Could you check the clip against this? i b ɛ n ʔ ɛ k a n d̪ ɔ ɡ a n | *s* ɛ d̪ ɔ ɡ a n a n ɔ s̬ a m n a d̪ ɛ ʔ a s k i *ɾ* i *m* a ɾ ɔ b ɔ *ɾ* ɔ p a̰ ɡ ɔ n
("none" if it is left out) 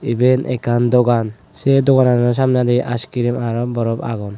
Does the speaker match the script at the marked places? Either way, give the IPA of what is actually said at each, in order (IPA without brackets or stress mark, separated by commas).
s, ɾ, m, ɾ